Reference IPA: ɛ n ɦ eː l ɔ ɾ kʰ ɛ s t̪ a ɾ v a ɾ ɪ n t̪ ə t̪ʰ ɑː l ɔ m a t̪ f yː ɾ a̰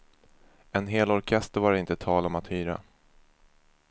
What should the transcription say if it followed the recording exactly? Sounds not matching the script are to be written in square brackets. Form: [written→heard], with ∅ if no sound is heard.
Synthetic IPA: ɛ n ɦ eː l ɔ ɾ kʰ ɛ s t̪ [a→ə] ɾ v a ɾ ɪ n t̪ ə t̪ʰ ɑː l ɔ m a t̪ [f→h] yː ɾ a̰

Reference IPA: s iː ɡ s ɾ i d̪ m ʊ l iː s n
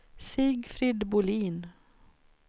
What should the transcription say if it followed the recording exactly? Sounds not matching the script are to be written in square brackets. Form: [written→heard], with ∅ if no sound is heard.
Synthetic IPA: s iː ɡ [s→f] ɾ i d̪ [m→b] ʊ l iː [s→∅] n

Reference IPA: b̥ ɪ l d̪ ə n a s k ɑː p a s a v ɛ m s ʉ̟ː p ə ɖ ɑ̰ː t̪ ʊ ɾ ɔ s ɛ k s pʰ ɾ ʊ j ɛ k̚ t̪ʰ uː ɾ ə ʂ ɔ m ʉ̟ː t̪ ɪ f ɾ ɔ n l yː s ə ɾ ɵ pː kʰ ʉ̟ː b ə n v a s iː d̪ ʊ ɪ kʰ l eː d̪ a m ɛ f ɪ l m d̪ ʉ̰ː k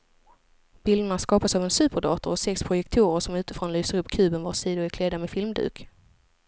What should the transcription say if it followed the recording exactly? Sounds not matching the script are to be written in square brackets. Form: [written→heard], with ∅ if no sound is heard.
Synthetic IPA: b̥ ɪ l d̪ ə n a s k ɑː p a s a v ɛ [m→n] s ʉ̟ː p ə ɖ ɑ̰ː t̪ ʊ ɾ ɔ s ɛ k s pʰ ɾ ʊ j ɛ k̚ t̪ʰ uː ɾ ə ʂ ɔ m ʉ̟ː t̪ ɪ f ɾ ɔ n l yː s ə ɾ ɵ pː kʰ ʉ̟ː b ə n v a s iː d̪ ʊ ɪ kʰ l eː d̪ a m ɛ f ɪ l m d̪ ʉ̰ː k

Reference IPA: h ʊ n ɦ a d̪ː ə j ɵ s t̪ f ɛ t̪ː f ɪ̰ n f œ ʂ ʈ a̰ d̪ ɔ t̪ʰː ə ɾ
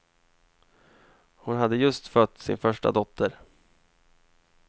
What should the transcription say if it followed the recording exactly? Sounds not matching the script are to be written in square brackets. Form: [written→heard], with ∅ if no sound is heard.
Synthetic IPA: h ʊ n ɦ a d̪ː ə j ɵ s t̪ f [ɛ→œ] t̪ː [f→s] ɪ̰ n f œ ʂ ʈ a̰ d̪ ɔ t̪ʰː ə ɾ

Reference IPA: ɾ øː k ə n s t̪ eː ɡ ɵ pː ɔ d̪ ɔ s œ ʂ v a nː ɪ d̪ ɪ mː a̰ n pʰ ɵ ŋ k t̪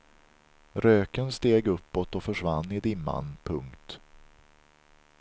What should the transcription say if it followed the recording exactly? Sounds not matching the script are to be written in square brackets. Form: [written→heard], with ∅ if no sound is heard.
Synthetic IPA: ɾ øː k ə n s t̪ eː ɡ ɵ pː ɔ [d̪→t̪] ɔ [s→f] œ ʂ v a nː ɪ d̪ ɪ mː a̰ n pʰ ɵ ŋ k t̪

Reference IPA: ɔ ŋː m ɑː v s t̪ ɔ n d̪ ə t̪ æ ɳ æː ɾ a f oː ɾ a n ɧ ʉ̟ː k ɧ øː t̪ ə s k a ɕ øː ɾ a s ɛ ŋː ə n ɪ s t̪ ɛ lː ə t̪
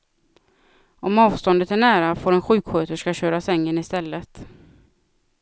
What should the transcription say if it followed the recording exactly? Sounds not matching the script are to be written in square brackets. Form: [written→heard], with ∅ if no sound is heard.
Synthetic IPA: ɔ [ŋː→∅] m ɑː v s t̪ ɔ n d̪ ə t̪ æ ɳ æː ɾ a f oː ɾ [a→ɛ] n ɧ ʉ̟ː k ɧ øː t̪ ə [s→ʂ] k a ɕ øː ɾ a s ɛ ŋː ə n ɪ s t̪ ɛ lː ə t̪

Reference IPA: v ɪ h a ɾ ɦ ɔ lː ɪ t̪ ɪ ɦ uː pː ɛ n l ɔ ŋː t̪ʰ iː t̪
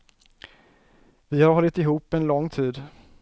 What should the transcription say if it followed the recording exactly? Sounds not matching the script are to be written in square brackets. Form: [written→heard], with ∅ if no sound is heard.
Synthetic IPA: v ɪ h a ɾ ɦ ɔ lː ɪ t̪ ɪ ɦ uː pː ɛ n l ɔ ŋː t̪ʰ iː [t̪→d̪]

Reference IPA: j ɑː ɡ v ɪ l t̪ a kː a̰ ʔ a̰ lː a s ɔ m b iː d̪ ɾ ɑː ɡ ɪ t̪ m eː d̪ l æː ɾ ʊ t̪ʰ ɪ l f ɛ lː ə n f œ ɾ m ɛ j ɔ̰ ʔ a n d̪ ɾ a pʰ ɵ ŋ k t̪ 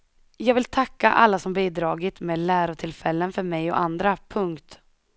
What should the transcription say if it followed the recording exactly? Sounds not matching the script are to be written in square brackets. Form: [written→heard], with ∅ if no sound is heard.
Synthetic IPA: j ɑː ɡ v ɪ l [t̪→t̪ʰ] a kː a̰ ʔ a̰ lː a s ɔ m b iː d̪ ɾ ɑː ɡ ɪ t̪ m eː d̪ l æː ɾ ʊ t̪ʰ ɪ l f ɛ lː ə n f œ ɾ m ɛ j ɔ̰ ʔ a n d̪ ɾ a pʰ ɵ ŋ k t̪

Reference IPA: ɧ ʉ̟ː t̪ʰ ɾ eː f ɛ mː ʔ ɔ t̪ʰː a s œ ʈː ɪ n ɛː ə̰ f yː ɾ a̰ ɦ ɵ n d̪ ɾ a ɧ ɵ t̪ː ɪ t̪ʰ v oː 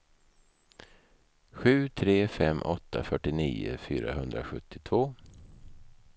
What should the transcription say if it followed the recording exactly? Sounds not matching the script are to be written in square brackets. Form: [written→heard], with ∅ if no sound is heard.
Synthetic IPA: ɧ ʉ̟ː t̪ʰ ɾ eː f ɛ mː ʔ ɔ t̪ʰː a [s→f] œ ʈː ɪ n [ɛː→iː] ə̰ f yː ɾ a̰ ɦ ɵ n d̪ ɾ a ɧ ɵ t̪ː ɪ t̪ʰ v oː

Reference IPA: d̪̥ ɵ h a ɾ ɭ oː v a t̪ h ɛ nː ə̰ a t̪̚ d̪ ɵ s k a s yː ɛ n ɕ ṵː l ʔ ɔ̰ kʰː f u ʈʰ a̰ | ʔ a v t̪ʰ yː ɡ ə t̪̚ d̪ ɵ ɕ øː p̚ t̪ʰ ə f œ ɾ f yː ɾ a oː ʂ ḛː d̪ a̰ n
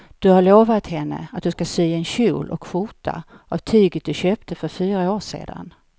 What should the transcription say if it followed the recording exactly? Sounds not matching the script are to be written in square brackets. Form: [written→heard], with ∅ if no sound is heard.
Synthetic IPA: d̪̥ ɵ h a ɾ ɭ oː v a t̪ h ɛ nː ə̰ a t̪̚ d̪ ɵ s k a s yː ɛ n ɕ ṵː l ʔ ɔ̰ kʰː f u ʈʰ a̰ | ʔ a v t̪ʰ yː ɡ ə t̪̚ d̪ ɵ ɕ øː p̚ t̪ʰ ə f œ ɾ f yː ɾ a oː ʂ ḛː d̪ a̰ n

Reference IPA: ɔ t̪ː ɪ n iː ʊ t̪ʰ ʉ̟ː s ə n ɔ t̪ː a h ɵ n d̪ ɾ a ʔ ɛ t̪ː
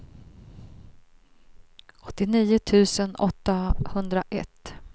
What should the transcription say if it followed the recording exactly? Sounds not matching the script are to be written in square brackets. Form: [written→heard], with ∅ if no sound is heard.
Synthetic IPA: ɔ t̪ː ɪ n iː ʊ t̪ʰ ʉ̟ː s ə n ɔ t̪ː a h ɵ n d̪ ɾ a ʔ ɛ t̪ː

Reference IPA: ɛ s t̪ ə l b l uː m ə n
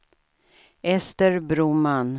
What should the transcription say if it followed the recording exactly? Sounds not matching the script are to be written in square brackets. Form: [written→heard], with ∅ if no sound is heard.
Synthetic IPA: ɛ s t̪ ə [l→ɾ] b [l→ɾ] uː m [ə→a] n

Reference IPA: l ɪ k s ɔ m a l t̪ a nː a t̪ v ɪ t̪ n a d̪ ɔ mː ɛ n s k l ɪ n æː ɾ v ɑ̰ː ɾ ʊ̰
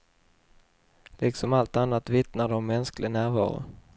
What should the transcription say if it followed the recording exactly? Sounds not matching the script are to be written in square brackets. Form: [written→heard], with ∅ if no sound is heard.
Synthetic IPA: l ɪ k s ɔ m a l t̪ a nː a t̪ v ɪ t̪ n a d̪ ɔ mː ɛ n s k l ɪ n æː ɾ v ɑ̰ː ɾ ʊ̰

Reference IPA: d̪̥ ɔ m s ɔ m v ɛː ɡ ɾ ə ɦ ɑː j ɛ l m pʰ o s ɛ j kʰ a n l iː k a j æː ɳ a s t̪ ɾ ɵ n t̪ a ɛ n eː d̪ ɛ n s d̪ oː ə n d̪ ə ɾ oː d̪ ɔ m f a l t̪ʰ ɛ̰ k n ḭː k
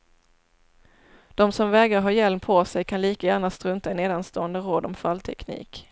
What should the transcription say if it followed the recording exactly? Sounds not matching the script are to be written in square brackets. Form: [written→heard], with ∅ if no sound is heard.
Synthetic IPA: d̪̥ ɔ m s ɔ m v ɛː ɡ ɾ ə ɦ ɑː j ɛ l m pʰ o s ɛ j kʰ a n l iː k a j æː ɳ a s t̪ ɾ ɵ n t̪ a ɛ n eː d̪ [ɛ→a] n s [d̪→t̪] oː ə n d̪ ə ɾ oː d̪ ɔ m f a l t̪ʰ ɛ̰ k n ḭː k

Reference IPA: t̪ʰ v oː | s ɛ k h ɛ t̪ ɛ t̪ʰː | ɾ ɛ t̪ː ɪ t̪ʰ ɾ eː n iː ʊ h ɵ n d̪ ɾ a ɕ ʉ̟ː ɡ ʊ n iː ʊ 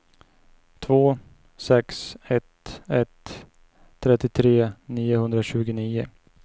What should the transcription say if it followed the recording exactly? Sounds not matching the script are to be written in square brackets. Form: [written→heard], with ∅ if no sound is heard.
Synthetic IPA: t̪ʰ v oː | s ɛ k [h→s] ɛ t̪ ɛ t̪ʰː | ɾ ɛ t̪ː ɪ t̪ʰ ɾ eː n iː ʊ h ɵ n d̪ ɾ a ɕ ʉ̟ː ɡ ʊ n iː ʊ

